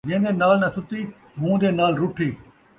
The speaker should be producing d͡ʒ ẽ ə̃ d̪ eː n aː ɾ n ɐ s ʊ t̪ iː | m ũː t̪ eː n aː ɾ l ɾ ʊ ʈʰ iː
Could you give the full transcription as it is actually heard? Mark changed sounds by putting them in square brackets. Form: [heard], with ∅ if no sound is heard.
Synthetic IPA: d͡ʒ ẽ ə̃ d̪ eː n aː [l] n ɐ s ʊ t̪ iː | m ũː [d̪] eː n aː [∅] l ɾ ʊ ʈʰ iː